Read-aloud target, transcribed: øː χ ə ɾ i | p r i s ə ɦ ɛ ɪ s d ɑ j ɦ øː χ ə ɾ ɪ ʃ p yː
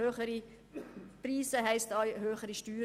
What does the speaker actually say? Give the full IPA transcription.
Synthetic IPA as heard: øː χ ə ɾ i | p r iː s ə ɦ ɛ ɪ s t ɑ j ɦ øː χ ə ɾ i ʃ t yː